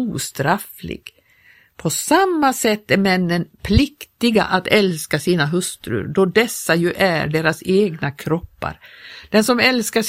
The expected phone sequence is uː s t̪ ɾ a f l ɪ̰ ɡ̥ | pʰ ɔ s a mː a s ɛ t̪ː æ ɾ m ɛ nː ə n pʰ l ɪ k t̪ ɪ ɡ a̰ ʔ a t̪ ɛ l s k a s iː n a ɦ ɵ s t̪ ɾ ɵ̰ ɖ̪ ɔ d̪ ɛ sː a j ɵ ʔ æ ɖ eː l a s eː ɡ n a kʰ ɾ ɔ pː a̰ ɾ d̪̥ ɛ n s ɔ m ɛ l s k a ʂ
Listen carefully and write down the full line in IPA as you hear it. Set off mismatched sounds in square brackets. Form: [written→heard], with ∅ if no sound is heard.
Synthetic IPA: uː s t̪ ɾ a f l ɪ̰ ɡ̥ | pʰ ɔ s a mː a s ɛ t̪ː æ ɾ m ɛ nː ə n pʰ l ɪ k t̪ ɪ ɡ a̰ ʔ a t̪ ɛ l s k a s iː n a ɦ ɵ s t̪ ɾ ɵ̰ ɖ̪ ɔ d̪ ɛ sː a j ɵ ʔ æ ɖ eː [l→ɾ] a s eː ɡ n a kʰ ɾ ɔ pː a̰ ɾ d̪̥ ɛ n s ɔ m ɛ l s k a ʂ